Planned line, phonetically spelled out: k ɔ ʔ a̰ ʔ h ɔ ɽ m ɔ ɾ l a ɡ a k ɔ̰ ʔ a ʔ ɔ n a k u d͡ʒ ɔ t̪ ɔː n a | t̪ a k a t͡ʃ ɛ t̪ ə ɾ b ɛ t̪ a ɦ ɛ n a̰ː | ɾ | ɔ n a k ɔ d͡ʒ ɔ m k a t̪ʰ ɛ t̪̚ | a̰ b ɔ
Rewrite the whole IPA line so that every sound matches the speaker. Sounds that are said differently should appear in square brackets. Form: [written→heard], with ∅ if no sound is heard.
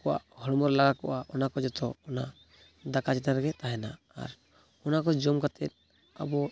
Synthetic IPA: k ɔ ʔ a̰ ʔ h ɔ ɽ m ɔ ɾ l a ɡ a k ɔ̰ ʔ a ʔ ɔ n a k [u→ɔ] d͡ʒ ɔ t̪ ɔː n a | [t̪→d̪] a k a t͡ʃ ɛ t̪ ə ɾ [b→ɡ] ɛ t̪ a ɦ ɛ n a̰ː | ɾ | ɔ n a k ɔ d͡ʒ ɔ m k a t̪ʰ ɛ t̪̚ | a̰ b ɔ

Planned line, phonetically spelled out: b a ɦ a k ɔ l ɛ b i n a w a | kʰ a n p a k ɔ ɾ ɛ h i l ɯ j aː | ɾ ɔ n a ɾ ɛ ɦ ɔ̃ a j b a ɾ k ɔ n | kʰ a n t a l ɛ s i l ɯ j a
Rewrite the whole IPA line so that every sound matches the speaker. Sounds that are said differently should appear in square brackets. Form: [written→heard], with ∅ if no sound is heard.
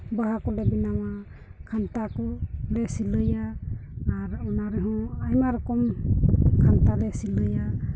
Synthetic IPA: b a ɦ a k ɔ l ɛ b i n a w a | kʰ a n [p→t] a k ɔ [ɾ→l] ɛ [h→s] i l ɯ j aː | ɾ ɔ n a ɾ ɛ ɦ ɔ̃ a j [b→m] a ɾ k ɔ [n→m] | kʰ a n t a l ɛ s i l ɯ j a

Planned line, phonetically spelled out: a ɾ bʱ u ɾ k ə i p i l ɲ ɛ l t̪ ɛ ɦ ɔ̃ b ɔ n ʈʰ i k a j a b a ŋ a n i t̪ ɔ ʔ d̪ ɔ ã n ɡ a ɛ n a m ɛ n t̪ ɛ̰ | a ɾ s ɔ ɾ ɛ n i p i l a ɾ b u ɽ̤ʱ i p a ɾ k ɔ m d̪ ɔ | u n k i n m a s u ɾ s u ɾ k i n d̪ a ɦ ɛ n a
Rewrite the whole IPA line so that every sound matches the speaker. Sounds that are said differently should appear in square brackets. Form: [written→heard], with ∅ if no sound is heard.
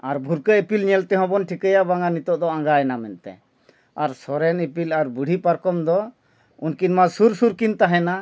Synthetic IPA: a ɾ bʱ u ɾ k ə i p i l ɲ ɛ l t̪ ɛ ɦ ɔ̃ b ɔ n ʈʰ i k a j a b a ŋ a n i t̪ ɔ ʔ d̪ ɔ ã [n→ŋ] ɡ a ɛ n a m ɛ n t̪ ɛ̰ | a ɾ s ɔ ɾ ɛ n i p i l a ɾ b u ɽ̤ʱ i p a ɾ k ɔ m d̪ ɔ | u n k i n m a s u ɾ s u ɾ k i n [d̪→t̪] a ɦ ɛ n a

